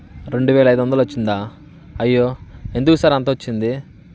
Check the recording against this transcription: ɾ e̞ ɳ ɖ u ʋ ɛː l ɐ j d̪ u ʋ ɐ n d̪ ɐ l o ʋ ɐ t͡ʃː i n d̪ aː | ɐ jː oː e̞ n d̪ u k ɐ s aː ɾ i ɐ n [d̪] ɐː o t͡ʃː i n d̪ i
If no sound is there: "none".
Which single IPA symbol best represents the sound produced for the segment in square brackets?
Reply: t̪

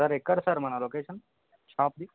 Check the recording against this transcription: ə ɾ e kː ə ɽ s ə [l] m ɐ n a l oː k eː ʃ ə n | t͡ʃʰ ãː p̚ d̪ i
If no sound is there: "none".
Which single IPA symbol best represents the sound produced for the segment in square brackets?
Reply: ɾ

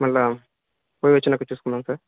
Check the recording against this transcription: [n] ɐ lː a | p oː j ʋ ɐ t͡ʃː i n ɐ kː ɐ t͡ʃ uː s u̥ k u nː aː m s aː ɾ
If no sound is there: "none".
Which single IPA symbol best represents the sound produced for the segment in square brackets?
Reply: m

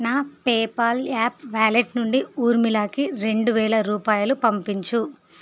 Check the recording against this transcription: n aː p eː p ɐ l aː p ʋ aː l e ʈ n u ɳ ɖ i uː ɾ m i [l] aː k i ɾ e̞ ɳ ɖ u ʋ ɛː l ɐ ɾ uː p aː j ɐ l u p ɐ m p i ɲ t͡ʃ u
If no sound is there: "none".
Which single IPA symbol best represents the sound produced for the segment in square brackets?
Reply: l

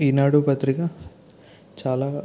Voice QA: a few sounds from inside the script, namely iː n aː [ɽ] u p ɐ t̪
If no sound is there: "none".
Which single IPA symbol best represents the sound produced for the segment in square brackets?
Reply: ɽ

